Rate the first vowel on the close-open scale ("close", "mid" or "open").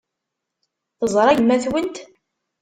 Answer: mid